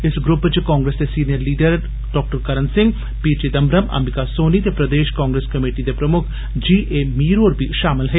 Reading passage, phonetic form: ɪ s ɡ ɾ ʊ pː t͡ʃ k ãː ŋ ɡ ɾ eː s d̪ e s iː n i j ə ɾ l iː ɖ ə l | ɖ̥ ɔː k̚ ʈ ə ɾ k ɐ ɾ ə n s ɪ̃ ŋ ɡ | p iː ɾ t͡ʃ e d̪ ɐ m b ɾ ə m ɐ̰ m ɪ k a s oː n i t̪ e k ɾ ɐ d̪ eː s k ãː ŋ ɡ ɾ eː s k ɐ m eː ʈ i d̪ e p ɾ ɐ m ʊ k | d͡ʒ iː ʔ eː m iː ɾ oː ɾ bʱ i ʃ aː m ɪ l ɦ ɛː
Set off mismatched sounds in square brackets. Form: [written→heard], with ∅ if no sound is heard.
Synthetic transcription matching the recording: ɪ s ɡ ɾ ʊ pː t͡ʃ k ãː ŋ ɡ ɾ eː s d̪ e s iː n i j ə ɾ l iː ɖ ə [l→ɾ] | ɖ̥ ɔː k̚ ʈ ə ɾ k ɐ ɾ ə n s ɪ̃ ŋ ɡ | p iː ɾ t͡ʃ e d̪ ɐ m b ɾ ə m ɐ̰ m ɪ k a s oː n i t̪ e [k→p] ɾ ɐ d̪ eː [s→ʃ] k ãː ŋ ɡ ɾ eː s k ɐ m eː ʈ i d̪ e p ɾ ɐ m ʊ [k→kʰ] | d͡ʒ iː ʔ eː m iː ɾ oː ɾ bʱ i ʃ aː m ɪ l ɦ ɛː